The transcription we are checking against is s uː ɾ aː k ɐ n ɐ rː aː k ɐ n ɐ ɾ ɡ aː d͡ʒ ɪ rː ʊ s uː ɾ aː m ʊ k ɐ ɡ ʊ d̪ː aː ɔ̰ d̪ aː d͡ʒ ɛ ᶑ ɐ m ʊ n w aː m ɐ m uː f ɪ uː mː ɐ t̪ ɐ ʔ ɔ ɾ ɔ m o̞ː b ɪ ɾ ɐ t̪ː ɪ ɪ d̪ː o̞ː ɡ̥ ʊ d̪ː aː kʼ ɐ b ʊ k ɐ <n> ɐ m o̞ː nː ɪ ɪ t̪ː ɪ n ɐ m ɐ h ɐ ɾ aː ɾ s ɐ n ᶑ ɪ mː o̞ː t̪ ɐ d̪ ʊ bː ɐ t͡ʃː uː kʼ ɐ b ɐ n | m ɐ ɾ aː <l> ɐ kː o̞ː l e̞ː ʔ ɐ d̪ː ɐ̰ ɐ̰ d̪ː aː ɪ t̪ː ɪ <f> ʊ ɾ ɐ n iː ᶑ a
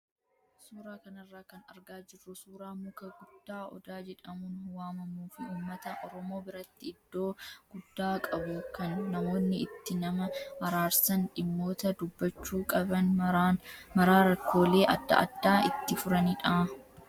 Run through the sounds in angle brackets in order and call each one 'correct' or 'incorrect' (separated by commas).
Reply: incorrect, incorrect, correct